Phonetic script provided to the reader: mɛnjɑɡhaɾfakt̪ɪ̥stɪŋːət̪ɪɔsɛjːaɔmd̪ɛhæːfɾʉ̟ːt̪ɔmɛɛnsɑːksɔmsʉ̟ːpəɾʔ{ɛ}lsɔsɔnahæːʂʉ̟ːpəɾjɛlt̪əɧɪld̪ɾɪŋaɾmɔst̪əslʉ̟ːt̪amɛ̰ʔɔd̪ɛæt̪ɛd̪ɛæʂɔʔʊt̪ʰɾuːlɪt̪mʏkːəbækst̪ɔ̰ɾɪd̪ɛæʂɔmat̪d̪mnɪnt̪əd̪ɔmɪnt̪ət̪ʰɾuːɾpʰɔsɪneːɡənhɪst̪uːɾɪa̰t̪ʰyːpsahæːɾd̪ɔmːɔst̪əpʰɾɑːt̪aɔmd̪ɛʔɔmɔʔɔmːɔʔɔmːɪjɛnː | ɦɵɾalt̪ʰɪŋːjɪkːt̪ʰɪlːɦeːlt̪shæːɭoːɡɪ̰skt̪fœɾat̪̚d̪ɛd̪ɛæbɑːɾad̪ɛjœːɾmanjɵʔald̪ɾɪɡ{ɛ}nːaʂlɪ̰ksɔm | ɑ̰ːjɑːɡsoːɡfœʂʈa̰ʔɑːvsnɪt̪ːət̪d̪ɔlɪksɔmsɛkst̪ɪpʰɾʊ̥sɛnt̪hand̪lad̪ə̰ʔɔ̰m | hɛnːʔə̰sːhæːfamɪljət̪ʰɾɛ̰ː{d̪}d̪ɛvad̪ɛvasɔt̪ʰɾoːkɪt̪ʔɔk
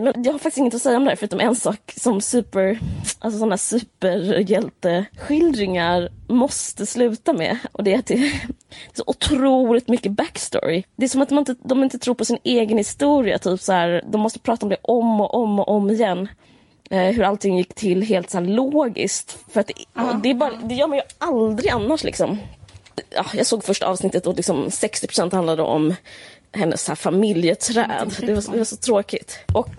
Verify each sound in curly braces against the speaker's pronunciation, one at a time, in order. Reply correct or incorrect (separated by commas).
incorrect, incorrect, correct